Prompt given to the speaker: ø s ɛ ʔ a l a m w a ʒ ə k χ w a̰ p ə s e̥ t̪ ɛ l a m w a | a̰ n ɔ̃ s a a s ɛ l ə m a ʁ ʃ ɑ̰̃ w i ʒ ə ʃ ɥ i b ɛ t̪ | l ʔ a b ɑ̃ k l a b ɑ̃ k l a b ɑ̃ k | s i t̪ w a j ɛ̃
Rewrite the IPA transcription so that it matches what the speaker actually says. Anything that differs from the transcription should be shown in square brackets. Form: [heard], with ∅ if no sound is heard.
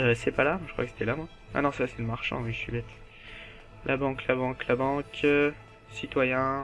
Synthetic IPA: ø s ɛ [p] a l a m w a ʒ ə k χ w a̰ [k] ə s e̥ t̪ ɛ l a m w a | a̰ n ɔ̃ s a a s ɛ l ə m a ʁ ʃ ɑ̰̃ w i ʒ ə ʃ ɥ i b ɛ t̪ | l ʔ a b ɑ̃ k l a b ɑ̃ k l a b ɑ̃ k | s i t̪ w a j ɛ̃